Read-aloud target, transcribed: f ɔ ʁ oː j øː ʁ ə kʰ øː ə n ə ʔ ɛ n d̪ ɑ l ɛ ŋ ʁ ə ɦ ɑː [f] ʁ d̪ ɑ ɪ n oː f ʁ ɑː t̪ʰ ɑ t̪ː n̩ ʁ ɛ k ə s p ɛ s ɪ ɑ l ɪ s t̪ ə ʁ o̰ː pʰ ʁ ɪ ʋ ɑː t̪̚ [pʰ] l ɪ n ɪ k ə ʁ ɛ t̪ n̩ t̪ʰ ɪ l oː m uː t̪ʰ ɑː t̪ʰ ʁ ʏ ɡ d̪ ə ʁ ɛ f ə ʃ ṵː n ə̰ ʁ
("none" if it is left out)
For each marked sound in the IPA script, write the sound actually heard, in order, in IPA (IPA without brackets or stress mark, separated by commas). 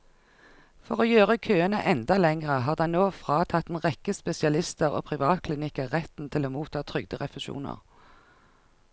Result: none, kʰ